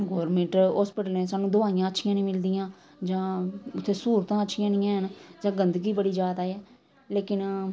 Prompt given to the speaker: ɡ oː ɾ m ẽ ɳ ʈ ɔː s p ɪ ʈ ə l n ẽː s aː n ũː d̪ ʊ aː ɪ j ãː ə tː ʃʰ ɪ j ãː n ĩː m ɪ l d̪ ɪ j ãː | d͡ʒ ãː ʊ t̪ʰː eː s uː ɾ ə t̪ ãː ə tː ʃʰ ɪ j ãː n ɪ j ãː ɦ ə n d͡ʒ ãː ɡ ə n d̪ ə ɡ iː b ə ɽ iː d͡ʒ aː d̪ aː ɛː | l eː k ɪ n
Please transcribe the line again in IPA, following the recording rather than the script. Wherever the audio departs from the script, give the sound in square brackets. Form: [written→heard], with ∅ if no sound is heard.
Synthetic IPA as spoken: ɡ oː ɾ m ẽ ɳ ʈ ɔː s p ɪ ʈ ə l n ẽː s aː n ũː d̪ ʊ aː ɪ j ãː ə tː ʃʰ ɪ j ãː n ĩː m ɪ l d̪ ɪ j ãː | d͡ʒ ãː ʊ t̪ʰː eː s uː ɾ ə t̪ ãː ə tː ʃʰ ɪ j ãː n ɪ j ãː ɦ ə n d͡ʒ ãː ɡ ə n d̪ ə ɡ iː b ə ɽ iː d͡ʒ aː d̪ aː ɛː | l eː k ɪ n